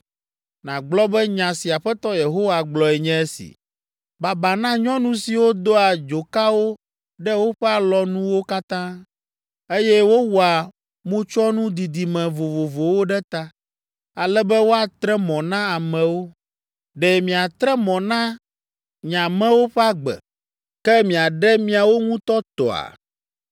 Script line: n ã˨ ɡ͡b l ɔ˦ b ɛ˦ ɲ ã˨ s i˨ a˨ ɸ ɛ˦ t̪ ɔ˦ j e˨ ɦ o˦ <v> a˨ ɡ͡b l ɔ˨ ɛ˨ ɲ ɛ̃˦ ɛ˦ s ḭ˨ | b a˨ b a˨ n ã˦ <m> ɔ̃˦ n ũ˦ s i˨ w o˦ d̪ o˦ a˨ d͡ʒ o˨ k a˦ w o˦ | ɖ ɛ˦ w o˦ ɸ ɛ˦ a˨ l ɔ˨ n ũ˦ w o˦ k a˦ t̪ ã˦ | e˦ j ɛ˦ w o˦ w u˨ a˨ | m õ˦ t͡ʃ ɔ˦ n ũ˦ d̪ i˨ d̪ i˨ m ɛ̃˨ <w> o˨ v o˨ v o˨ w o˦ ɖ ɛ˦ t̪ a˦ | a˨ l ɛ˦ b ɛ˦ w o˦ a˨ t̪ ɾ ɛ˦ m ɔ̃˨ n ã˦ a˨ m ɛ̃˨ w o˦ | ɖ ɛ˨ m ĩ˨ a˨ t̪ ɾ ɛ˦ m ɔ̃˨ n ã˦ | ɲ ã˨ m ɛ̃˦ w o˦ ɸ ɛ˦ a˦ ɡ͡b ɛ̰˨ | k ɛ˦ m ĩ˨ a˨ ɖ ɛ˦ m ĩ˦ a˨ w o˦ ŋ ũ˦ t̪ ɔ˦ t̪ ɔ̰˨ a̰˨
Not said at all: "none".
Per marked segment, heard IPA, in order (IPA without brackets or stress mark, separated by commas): w, ɲ, v